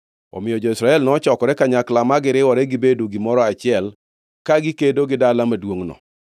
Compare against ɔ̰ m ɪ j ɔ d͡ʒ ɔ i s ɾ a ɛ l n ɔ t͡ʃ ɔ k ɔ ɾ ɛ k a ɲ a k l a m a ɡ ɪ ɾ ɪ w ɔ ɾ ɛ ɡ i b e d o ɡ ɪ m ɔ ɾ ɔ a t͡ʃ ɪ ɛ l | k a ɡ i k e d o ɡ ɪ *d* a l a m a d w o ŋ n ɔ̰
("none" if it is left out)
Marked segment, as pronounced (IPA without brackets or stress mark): d